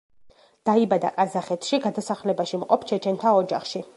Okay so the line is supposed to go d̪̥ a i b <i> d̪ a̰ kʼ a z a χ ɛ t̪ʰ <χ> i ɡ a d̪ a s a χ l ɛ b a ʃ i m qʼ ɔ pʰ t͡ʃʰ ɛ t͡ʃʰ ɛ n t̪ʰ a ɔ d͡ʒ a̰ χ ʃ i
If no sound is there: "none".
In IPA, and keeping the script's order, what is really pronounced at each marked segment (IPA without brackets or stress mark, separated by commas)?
a, ʃ